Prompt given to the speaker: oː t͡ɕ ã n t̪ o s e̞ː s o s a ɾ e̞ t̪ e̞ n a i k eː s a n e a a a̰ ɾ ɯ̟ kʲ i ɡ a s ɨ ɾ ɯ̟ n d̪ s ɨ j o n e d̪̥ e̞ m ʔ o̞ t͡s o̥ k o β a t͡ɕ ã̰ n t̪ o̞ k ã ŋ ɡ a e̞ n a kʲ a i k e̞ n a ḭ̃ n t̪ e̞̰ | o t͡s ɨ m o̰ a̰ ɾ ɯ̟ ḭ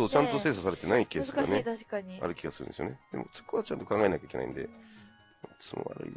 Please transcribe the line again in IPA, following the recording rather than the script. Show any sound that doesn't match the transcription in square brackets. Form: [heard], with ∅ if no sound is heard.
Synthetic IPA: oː t͡ɕ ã n t̪ o s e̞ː s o s a ɾ e̞ t̪ e̞ n a i k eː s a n e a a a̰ ɾ ɯ̟ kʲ i ɡ a s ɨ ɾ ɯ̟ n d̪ s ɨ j o n e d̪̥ e̞ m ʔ o̞ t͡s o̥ k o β a t͡ɕ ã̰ n t̪ o̞ k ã ŋ ɡ a e̞ n a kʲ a i k e̞ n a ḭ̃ n [d̪] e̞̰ | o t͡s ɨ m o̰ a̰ ɾ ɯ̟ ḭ